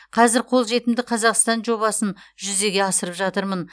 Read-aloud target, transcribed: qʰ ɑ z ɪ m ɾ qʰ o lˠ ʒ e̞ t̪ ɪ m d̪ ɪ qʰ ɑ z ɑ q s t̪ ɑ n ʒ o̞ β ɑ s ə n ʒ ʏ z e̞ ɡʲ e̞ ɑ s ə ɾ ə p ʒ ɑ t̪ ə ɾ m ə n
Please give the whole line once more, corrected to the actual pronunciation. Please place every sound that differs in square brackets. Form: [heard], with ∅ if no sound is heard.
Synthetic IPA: qʰ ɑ z ɪ [∅] ɾ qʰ o lˠ ʒ e̞ t̪ ɪ m d̪ ɪ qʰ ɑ z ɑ q s t̪ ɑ n ʒ o̞ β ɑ s ə n ʒ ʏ z e̞ ɡʲ e̞ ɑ s ə ɾ ə p ʒ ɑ t̪ ə ɾ m ə n

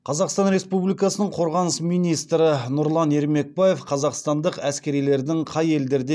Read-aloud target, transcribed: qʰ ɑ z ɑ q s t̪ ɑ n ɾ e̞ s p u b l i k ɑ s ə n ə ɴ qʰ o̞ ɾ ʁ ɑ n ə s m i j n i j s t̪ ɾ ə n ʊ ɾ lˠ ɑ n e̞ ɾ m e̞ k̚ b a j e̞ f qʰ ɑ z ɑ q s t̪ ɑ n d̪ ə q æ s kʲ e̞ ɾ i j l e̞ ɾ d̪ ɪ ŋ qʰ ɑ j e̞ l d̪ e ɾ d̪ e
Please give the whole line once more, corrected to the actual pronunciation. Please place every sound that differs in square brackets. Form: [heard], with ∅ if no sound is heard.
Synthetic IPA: qʰ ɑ z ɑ q s t̪ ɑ n ɾ e̞ s p u b l i k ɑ s ə n ə ɴ qʰ o̞ ɾ ʁ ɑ n ə s m i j n i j s t̪ ɾ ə n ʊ ɾ lˠ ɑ n e̞ ɾ m e̞ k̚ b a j e̞ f qʰ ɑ z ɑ q s t̪ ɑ n d̪ ə q æ s kʲ e̞ ɾ i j l e̞ ɾ d̪ ɪ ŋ qʰ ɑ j e̞ l d̪ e ɾ d̪ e

